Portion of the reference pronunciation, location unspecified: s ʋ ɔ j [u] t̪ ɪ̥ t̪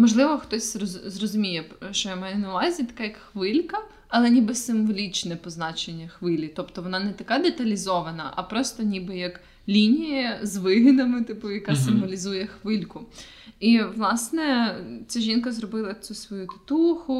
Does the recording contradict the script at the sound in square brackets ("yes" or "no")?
no